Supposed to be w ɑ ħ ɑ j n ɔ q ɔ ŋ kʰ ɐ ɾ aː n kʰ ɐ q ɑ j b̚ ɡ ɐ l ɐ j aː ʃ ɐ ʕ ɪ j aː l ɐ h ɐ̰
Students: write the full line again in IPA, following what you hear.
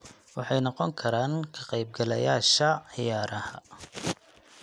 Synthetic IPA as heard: w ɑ ħ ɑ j n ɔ q ɔ ŋ kʰ ɐ ɾ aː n kʰ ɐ q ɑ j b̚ ɡ ɐ l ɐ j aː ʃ ɐ ʕ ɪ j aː ɾ ɐ h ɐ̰